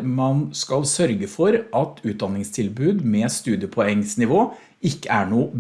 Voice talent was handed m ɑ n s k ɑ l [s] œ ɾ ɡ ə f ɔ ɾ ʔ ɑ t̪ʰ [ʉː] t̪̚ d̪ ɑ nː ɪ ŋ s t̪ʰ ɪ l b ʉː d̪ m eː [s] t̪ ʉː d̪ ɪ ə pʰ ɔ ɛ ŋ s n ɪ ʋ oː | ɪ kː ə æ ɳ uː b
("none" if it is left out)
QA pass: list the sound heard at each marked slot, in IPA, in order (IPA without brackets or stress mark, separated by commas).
s, ʉː, s